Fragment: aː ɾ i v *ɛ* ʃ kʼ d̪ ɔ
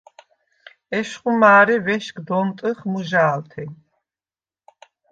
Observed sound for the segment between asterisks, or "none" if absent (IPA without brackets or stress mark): ɛ